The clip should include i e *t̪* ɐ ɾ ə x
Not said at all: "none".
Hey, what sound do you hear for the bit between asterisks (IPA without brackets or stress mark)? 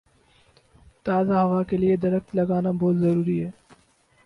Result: d̪